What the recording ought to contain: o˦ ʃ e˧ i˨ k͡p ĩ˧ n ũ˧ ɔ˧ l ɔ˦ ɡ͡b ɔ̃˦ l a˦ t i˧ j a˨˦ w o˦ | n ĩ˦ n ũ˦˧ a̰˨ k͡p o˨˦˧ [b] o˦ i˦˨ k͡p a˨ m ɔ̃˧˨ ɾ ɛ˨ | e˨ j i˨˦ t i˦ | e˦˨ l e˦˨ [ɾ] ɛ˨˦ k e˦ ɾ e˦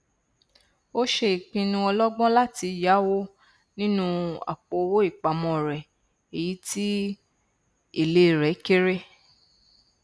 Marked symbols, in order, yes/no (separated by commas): no, yes